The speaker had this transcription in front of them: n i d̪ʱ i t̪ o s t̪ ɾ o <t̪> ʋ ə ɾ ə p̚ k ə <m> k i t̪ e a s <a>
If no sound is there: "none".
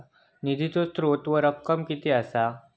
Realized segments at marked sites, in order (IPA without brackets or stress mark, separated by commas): t̪, m, a